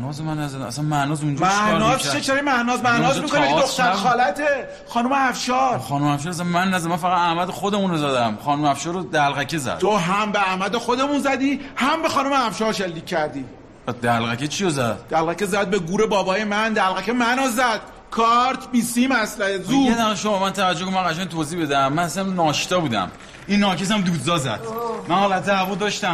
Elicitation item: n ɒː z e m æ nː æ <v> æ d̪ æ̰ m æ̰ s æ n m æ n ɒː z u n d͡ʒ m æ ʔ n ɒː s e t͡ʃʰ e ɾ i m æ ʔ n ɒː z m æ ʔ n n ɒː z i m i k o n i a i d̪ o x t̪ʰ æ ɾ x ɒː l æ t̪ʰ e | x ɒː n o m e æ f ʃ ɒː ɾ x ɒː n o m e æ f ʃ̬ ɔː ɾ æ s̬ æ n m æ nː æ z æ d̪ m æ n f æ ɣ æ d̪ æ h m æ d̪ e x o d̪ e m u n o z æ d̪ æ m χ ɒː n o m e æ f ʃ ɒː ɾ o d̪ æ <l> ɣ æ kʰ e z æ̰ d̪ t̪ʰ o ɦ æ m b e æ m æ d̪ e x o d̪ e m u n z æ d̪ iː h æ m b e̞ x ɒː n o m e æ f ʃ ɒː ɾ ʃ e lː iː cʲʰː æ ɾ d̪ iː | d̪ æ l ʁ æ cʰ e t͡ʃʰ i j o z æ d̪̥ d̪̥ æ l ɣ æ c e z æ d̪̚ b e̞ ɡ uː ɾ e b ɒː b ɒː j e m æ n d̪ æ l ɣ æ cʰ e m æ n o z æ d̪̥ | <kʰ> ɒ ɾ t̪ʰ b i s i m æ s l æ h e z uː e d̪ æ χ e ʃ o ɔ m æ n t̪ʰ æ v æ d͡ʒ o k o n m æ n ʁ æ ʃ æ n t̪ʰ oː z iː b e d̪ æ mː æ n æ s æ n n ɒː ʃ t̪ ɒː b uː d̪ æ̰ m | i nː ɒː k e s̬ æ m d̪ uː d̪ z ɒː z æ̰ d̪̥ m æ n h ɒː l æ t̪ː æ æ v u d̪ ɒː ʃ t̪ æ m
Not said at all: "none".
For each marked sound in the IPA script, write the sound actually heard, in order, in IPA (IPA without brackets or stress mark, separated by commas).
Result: z, l, kʰ